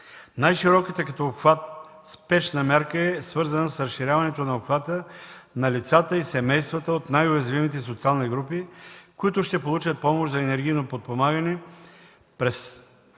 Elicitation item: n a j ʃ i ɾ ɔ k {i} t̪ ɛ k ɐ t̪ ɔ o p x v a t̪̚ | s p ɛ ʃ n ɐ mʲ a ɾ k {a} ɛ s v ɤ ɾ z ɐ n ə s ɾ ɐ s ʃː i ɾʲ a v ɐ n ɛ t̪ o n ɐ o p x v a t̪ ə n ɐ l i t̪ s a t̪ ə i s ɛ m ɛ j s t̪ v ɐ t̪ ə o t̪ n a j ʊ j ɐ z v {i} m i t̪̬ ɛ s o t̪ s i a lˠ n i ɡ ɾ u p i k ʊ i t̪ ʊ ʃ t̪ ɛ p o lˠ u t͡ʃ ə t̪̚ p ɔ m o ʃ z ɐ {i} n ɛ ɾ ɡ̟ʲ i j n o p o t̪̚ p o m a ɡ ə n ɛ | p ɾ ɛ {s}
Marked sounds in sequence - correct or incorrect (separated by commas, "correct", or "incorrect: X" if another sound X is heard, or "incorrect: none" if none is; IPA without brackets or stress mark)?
correct, incorrect: ə, correct, incorrect: ɛ, correct